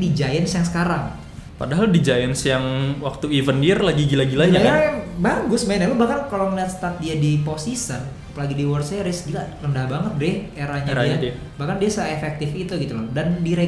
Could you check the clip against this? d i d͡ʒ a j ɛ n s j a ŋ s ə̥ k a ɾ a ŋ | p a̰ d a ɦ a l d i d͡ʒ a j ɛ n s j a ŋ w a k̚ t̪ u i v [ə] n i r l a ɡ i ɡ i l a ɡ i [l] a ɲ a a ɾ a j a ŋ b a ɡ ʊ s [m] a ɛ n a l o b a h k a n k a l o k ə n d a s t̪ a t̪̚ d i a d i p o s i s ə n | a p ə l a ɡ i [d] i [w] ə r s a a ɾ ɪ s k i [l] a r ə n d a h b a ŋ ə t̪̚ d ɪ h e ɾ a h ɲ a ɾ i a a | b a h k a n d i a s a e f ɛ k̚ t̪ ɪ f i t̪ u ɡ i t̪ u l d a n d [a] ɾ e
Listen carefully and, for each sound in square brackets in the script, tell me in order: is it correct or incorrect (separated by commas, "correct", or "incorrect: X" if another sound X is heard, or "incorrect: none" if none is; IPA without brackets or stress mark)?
correct, correct, correct, correct, correct, correct, incorrect: i